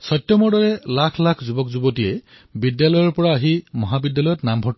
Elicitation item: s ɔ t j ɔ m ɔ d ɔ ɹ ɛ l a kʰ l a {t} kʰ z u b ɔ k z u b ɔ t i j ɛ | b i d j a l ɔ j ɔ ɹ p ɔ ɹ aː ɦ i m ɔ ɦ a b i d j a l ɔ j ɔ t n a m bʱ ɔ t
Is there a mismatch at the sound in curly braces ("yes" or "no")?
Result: yes